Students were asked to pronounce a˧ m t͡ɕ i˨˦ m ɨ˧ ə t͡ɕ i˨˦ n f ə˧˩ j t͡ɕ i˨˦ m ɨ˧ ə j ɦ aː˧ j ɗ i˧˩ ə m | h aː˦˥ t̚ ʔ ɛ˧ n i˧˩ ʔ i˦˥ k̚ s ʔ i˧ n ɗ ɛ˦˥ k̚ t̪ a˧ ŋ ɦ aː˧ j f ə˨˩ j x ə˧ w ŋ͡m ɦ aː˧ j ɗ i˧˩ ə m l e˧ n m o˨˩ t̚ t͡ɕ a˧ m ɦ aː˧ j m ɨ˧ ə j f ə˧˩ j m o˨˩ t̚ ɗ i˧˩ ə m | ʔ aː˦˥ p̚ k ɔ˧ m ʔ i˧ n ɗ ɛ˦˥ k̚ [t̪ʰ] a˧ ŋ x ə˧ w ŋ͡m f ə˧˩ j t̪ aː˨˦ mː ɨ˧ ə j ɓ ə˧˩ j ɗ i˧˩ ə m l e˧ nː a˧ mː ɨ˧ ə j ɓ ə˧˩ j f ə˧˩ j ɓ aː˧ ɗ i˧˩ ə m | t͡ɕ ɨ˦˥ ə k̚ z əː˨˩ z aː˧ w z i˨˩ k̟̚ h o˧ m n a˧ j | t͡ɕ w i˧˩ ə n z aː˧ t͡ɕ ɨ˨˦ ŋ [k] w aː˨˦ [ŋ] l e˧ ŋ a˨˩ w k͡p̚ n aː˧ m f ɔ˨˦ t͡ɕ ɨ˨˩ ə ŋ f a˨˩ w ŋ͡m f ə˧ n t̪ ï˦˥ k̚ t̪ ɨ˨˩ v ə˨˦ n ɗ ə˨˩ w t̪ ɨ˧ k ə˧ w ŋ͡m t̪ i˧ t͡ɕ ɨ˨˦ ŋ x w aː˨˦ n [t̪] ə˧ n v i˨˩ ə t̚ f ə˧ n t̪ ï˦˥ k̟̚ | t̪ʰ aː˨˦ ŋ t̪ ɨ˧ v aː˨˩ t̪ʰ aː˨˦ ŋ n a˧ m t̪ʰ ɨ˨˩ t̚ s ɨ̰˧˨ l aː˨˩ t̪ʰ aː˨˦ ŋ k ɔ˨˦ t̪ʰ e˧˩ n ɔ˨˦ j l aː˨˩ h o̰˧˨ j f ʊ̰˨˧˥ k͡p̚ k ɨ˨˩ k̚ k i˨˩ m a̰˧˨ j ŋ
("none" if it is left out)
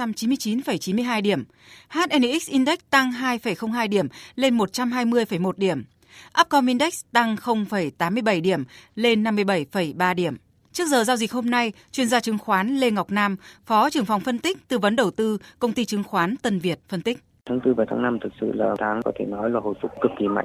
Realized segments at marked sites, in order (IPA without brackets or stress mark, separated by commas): t̪, x, n, t̪